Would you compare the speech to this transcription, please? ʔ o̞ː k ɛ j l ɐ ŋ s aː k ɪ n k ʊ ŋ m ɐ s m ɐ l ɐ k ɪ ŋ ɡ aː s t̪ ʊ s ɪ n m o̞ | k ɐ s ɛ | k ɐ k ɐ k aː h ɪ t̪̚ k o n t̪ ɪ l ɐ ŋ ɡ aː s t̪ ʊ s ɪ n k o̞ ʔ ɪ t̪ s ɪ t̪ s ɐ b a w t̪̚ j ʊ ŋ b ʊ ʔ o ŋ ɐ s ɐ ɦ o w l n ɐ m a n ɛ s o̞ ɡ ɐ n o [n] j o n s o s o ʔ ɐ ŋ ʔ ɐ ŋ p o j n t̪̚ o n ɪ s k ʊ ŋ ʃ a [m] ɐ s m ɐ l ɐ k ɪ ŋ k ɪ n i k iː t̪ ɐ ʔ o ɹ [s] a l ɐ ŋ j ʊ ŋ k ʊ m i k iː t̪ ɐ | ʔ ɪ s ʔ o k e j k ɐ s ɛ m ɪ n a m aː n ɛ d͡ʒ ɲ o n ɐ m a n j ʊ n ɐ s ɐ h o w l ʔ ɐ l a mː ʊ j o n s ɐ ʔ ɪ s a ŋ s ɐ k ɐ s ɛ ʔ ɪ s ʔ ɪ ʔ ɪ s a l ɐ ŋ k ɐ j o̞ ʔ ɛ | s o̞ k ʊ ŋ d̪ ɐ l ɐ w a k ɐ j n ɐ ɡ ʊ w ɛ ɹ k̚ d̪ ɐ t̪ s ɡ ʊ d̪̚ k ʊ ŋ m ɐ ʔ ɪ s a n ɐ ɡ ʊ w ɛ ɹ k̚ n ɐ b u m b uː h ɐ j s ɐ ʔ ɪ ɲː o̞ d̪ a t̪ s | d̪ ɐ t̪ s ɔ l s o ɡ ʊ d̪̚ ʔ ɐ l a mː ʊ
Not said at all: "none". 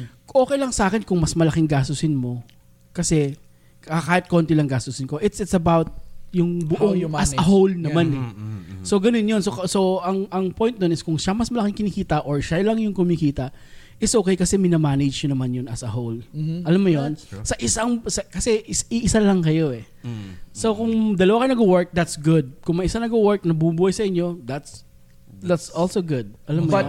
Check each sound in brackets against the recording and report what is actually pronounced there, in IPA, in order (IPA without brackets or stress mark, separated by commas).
n, m, ʃ